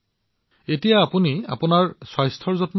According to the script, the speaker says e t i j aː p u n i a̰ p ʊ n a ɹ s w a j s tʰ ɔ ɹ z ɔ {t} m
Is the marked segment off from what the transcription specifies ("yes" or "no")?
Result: no